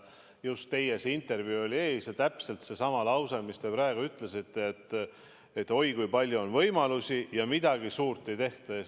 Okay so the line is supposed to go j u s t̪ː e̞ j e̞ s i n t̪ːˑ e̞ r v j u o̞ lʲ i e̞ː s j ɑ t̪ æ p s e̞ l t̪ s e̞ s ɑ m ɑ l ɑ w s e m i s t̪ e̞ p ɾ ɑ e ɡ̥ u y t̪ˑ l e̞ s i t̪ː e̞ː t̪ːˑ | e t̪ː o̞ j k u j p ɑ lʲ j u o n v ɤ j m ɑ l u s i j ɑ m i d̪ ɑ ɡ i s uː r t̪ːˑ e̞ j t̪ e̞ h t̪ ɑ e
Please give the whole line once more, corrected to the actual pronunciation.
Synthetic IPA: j u s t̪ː e̞ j e̞ s i n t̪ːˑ e̞ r v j u o̞ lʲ i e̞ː s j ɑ t̪ æ p s e̞ l t̪ s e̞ s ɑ m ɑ l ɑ w s e m i s t̪ e̞ p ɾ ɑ e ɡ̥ u y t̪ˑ l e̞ s i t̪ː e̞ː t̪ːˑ | e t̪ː o̞ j k u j p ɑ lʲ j u o n v ɤ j m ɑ l u s i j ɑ m i d̪ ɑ ɡ i s uː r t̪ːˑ e̞ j t̪ e̞ h t̪ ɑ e